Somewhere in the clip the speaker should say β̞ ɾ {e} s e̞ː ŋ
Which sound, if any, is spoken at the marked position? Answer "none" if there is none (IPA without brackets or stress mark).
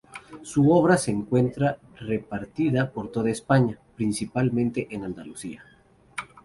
a